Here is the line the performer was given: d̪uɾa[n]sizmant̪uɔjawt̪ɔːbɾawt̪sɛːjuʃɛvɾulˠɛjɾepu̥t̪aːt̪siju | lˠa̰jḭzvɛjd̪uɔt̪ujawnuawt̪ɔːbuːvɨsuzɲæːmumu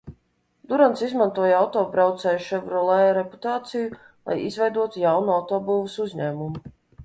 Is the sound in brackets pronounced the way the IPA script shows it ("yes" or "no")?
yes